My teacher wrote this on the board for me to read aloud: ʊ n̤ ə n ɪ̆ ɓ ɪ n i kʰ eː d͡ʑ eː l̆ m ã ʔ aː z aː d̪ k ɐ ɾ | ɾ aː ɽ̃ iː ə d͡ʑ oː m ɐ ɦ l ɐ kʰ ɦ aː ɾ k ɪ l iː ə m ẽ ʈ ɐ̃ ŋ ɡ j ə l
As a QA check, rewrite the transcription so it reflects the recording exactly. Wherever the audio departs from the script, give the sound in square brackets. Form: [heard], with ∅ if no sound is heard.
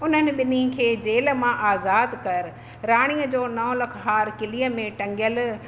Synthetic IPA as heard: ʊ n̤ ə n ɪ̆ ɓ ɪ n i kʰ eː d͡ʑ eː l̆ m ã ʔ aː z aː d̪ k ɐ ɾ | ɾ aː ɽ̃ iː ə d͡ʑ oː [n] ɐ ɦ l ɐ kʰ ɦ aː ɾ k ɪ l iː ə m ẽ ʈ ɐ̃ ŋ ɡ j ə l